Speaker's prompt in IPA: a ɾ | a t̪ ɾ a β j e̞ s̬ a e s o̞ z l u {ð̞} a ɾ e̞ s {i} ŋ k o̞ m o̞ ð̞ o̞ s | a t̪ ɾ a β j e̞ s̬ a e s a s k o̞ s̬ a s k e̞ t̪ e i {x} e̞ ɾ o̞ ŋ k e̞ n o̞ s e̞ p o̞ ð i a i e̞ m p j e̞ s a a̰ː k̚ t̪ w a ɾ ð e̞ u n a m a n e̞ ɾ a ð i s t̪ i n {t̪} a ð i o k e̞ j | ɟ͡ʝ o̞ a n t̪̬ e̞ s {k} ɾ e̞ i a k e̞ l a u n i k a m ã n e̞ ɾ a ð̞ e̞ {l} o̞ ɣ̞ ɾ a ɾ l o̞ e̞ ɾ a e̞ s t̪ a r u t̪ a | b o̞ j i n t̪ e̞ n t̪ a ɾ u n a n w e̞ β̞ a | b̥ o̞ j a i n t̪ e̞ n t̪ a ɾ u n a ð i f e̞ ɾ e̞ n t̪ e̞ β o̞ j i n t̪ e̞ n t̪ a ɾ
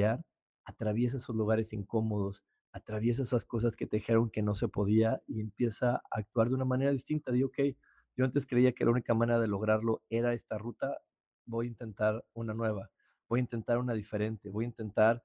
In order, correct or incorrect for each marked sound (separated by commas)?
incorrect, correct, correct, correct, correct, correct